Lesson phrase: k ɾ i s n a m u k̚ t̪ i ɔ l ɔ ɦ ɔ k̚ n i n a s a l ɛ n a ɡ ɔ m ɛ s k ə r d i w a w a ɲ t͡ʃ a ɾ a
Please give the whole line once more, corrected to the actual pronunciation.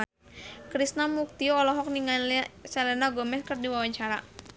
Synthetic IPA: k ɾ i s n a m u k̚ t̪ i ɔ l ɔ ɦ ɔ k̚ n i ŋ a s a l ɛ n a ɡ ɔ m ɛ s k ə r d i w a w a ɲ t͡ʃ a ɾ a